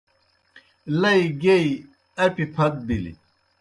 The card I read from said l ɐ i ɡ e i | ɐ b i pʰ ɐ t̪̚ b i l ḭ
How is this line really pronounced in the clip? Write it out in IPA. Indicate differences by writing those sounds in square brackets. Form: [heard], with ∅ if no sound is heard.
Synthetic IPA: l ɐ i ɡ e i | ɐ [p] i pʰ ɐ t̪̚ b i l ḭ